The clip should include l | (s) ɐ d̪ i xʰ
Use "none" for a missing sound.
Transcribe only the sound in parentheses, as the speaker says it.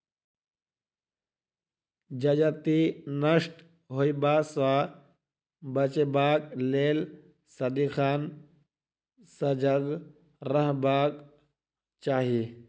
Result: s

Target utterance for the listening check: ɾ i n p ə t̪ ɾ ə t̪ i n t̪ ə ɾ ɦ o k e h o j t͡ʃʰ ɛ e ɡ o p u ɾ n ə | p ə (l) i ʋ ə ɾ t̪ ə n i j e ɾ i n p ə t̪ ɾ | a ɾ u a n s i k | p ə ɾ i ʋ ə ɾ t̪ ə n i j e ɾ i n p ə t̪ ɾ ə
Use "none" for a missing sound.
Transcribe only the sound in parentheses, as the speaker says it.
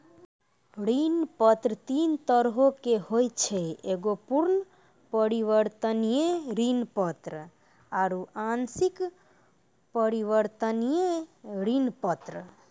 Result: ɾ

